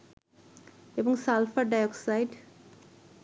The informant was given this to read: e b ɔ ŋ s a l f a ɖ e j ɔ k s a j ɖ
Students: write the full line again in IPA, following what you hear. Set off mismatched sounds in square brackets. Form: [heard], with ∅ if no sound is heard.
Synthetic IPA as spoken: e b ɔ ŋ s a l f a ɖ [a] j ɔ k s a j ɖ